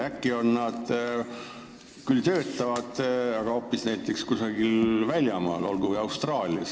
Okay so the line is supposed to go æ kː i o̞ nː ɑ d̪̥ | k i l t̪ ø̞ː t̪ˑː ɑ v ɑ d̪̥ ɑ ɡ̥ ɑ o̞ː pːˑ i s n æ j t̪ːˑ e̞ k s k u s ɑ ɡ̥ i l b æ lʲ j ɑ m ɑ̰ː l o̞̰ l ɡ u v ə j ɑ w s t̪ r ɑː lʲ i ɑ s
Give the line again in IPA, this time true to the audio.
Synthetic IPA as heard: æ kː i o̞ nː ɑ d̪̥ | k y l t̪ ø̞ː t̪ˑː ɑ v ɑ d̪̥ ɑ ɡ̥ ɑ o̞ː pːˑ i s n æ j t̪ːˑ e̞ k s k u s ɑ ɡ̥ i l v æ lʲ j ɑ m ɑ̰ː l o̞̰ l ɡ u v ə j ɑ w s t̪ r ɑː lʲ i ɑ s